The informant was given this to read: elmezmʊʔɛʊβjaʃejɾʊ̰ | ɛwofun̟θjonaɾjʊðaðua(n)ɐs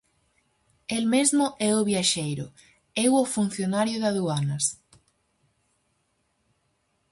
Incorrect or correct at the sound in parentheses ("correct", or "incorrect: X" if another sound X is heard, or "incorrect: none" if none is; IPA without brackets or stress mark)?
correct